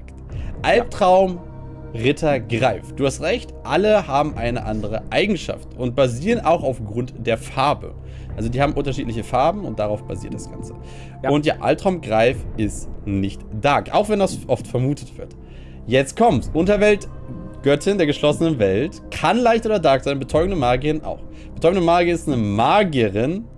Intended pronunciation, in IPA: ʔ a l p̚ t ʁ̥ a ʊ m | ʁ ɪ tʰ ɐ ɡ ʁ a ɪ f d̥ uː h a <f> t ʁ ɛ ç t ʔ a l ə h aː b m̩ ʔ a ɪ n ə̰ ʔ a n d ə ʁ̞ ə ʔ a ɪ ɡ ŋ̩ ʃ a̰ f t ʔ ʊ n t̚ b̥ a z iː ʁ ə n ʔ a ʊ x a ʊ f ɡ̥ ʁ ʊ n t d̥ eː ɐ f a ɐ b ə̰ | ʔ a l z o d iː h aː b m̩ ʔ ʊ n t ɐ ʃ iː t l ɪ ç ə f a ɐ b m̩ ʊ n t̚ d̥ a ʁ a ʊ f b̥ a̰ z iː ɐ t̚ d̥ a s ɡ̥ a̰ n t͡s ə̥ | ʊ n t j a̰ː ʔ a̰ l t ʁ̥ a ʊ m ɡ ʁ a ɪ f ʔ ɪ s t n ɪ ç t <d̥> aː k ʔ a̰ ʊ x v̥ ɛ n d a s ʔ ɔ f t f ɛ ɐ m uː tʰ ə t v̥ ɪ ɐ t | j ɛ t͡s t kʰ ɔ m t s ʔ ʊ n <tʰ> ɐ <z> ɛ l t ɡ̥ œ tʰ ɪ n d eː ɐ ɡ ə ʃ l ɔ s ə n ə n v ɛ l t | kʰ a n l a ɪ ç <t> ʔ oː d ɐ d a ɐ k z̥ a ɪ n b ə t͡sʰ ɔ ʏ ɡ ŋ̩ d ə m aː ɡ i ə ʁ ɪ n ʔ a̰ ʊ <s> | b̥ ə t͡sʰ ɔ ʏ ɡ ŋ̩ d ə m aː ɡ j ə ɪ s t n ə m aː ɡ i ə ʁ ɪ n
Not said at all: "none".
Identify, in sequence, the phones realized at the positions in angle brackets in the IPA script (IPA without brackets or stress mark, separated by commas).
s, d̥, t, v, t, x